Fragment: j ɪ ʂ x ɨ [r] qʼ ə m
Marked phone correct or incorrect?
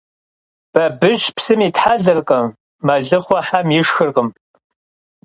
correct